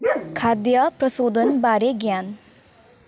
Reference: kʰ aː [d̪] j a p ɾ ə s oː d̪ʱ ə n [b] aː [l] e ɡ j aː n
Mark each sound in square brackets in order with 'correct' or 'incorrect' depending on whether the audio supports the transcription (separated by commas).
correct, correct, incorrect